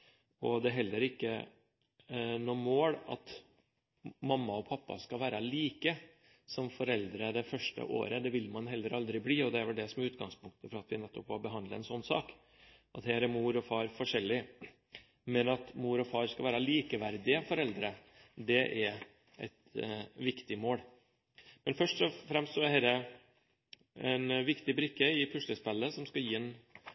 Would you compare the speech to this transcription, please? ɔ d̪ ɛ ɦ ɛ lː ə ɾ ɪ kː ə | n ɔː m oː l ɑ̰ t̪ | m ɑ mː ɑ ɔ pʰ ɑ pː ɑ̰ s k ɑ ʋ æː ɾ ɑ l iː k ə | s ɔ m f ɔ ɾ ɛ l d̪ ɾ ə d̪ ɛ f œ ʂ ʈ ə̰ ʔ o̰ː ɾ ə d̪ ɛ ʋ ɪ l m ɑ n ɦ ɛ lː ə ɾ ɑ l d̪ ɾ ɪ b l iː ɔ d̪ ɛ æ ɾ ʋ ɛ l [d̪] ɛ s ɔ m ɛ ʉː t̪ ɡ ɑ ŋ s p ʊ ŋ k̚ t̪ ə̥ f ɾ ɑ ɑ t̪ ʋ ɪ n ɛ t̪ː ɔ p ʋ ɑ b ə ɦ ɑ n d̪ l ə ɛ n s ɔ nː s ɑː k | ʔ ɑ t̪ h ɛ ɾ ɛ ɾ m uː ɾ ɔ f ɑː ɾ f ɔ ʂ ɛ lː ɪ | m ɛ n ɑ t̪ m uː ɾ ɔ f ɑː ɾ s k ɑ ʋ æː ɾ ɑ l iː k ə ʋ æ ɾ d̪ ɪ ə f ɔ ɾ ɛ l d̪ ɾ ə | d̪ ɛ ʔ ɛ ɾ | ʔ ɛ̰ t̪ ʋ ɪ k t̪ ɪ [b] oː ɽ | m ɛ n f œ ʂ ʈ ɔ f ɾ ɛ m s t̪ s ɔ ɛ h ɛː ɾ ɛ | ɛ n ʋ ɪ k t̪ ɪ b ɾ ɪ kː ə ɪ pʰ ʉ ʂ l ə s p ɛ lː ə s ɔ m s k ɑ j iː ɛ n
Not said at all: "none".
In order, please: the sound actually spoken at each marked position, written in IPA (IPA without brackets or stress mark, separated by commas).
d̪, m